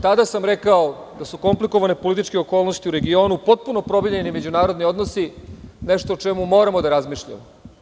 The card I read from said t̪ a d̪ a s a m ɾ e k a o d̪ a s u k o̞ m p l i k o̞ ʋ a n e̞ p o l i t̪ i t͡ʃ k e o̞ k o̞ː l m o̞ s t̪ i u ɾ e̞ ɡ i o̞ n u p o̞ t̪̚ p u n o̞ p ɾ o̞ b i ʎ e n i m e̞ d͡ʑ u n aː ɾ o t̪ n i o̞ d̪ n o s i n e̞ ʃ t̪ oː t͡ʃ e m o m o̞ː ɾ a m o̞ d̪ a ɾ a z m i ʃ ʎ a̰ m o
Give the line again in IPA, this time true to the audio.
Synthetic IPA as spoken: t̪ a d̪ a s a m ɾ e k a o d̪ a s u k o̞ m p l i k o̞ ʋ a n e̞ p o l i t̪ i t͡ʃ k e o̞ k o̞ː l n o̞ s t̪ i u ɾ e̞ ɡ i o̞ n u p o̞ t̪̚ p u n o̞ p ɾ o̞ b i ʎ e n i m e̞ d͡ʑ u n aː ɾ o d̪ n i o̞ d̪ n o s i n e̞ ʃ t̪ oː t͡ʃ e m u m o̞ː ɾ a m o̞ d̪ a ɾ a z m i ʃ ʎ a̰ m o